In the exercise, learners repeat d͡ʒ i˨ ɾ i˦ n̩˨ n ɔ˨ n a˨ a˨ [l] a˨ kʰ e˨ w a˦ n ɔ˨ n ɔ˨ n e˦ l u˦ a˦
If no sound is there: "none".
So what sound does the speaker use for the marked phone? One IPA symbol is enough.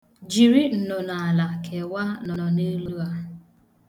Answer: l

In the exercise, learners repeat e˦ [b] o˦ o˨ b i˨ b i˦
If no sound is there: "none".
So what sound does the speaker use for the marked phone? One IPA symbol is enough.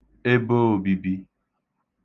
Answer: b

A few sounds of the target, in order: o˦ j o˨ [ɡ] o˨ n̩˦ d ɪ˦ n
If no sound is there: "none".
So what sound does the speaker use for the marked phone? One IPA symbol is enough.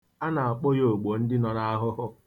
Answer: ɡ͡b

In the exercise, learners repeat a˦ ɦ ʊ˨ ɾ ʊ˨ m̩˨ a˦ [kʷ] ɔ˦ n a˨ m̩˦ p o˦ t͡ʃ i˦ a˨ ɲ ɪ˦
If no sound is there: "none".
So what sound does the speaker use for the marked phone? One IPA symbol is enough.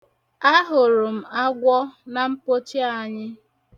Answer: ɡʷ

